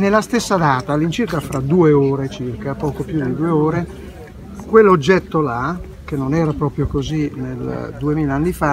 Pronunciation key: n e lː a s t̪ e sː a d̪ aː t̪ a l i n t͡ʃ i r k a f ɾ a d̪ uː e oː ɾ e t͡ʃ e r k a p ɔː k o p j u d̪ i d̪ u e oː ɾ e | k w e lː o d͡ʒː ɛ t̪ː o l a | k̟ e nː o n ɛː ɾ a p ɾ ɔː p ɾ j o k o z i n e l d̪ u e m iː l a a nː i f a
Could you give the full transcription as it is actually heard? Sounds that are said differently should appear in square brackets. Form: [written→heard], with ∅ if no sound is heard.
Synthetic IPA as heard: n e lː a s t̪ e sː a d̪ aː t̪ a l i n t͡ʃ i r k a f ɾ a d̪ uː e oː ɾ e t͡ʃ [e→i] r k a p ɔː k o p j u d̪ i d̪ u e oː ɾ e | k w e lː o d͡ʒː ɛ t̪ː o l a | k̟ e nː o n ɛː ɾ a p ɾ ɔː p ɾ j o k o z i n e l d̪ u e m iː l a a nː i f a